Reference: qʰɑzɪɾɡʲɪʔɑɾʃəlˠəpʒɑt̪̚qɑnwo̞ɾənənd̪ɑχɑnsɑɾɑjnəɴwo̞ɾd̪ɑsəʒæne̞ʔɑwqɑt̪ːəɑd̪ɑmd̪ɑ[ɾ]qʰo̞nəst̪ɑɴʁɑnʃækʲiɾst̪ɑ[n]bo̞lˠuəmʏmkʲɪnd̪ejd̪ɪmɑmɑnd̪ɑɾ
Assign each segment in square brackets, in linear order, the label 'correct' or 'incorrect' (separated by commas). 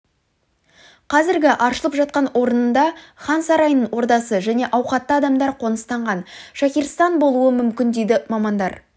correct, correct